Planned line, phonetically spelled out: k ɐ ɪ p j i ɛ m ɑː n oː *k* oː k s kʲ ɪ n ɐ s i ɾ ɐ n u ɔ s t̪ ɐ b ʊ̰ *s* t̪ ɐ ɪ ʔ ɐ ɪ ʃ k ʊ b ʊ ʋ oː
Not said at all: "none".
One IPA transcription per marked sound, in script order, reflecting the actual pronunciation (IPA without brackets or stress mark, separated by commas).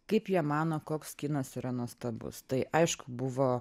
k, s